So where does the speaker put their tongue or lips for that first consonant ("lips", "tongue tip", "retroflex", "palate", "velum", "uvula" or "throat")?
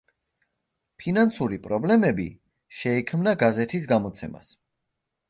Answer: lips